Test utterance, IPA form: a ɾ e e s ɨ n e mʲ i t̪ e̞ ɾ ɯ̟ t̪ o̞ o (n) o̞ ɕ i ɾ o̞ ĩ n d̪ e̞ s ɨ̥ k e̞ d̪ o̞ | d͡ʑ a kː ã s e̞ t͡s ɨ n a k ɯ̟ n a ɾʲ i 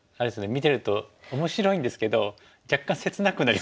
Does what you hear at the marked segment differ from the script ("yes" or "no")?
yes